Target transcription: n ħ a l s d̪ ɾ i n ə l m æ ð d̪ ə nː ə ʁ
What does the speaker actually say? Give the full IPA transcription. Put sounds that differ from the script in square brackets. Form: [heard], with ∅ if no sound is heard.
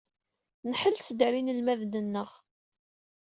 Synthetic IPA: n ħ [ə] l s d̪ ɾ i n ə l m æ ð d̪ ə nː ə ʁ